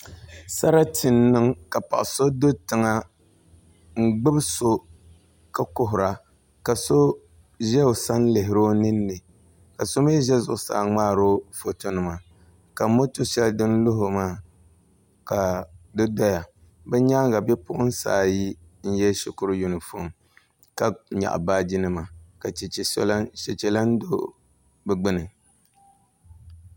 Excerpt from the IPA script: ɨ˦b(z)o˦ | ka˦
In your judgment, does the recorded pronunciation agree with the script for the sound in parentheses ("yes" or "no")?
no